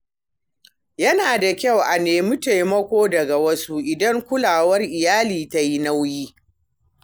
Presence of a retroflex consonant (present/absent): absent